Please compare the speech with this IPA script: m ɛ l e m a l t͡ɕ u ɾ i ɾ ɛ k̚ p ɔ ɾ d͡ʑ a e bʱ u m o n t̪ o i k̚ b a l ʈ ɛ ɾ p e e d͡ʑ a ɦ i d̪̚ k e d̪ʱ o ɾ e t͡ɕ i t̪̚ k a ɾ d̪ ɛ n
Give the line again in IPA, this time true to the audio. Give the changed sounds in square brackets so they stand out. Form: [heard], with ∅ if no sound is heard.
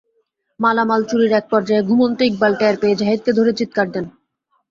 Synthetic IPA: m [a] l [a] m a l t͡ɕ u ɾ i ɾ ɛ k̚ p ɔ ɾ d͡ʑ a e [ɡʱ] u m o n t̪ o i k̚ b a l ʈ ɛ ɾ p e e d͡ʑ a ɦ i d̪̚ k e d̪ʱ o ɾ e t͡ɕ i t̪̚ k a ɾ d̪ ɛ n